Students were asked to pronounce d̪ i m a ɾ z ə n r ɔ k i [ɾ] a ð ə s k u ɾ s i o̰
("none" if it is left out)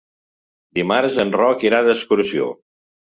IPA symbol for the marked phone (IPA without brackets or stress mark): ɾ